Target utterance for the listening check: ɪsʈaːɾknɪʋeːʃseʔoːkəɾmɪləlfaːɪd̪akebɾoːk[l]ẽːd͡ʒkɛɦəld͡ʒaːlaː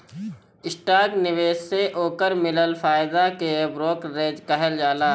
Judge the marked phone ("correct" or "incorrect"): incorrect